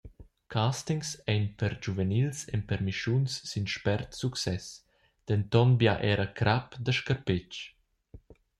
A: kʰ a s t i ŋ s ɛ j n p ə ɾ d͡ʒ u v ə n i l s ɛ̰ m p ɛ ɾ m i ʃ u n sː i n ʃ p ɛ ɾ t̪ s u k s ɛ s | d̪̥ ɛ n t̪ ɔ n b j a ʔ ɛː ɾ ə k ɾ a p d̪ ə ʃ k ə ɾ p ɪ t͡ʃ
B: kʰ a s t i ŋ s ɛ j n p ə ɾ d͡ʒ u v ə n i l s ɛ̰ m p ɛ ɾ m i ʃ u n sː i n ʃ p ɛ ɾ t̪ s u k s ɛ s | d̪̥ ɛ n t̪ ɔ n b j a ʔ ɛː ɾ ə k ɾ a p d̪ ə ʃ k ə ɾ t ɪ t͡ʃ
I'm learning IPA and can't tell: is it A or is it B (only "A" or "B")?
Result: A